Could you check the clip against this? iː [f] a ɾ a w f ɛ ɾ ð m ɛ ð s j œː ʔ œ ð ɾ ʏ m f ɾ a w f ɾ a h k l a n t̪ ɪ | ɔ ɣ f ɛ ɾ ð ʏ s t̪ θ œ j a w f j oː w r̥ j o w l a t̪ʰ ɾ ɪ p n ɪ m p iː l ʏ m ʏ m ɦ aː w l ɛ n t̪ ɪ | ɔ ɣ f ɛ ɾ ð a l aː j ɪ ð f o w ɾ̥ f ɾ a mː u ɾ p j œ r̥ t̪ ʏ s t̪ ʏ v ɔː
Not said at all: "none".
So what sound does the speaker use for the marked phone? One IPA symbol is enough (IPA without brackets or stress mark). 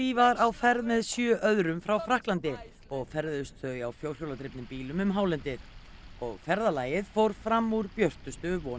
v